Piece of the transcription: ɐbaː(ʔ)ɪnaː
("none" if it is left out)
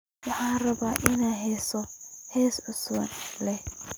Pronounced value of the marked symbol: ʔ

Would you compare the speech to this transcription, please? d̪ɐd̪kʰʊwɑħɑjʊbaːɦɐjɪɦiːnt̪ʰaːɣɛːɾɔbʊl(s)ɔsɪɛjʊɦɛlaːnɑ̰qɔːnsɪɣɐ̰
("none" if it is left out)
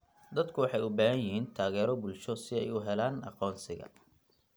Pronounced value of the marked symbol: ʃ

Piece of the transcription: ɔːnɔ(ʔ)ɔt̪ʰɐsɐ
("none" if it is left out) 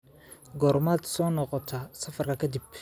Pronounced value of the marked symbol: q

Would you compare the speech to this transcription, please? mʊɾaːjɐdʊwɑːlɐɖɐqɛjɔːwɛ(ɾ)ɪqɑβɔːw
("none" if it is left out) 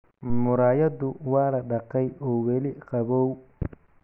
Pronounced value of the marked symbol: l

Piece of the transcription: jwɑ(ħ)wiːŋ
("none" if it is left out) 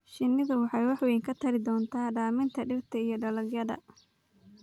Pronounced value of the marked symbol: ħ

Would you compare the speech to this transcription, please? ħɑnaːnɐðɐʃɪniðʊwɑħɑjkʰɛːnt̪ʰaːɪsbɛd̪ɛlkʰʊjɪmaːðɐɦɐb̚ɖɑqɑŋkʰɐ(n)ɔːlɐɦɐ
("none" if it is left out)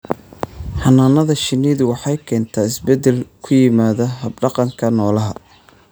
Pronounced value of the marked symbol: n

